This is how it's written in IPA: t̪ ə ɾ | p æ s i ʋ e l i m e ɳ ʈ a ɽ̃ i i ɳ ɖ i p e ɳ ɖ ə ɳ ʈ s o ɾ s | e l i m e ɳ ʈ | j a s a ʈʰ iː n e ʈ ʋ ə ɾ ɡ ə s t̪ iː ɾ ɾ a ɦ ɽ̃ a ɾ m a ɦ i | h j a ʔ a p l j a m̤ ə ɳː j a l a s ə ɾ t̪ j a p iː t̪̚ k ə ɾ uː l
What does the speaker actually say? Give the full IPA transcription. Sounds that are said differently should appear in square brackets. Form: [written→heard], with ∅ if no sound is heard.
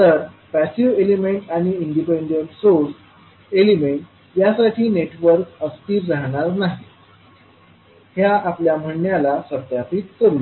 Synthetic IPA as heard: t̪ ə ɾ | p æ s i ʋ e l i m e ɳ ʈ a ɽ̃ i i ɳ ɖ i p e ɳ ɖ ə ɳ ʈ s o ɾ s | e l i m e ɳ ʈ | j a s a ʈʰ iː n e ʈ ʋ ə ɾ [ɡ→k] ə s t̪ iː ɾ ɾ a ɦ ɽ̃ a ɾ [m→n] a ɦ i | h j a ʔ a p l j a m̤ ə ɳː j a l a s ə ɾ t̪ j a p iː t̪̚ k ə ɾ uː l

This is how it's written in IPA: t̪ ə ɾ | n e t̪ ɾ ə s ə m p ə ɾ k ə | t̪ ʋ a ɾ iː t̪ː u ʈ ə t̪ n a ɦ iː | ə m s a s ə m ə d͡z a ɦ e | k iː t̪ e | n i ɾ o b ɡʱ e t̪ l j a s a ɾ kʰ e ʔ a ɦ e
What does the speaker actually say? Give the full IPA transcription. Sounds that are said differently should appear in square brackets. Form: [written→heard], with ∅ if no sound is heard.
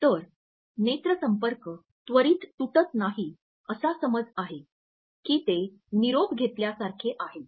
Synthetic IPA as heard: t̪ ə ɾ | n e t̪ ɾ ə s ə m p ə ɾ k ə | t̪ ʋ [a→ə] ɾ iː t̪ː u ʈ ə t̪ n a ɦ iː | ə [m→∅] s a s ə m ə d͡z a ɦ e | k iː t̪ e | n i ɾ o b ɡʱ e t̪ l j a s a ɾ kʰ e ʔ a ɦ e

